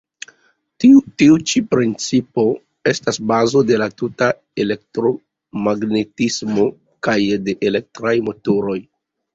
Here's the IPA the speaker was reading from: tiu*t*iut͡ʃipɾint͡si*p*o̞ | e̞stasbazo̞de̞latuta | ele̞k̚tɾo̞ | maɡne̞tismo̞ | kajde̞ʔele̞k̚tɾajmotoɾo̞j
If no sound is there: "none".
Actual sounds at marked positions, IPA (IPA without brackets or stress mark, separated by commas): t, p